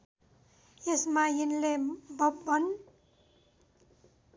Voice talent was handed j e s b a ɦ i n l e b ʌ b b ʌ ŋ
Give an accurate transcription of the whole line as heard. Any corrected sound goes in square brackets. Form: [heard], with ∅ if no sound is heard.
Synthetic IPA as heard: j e s [m] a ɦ i n l e b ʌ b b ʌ [n]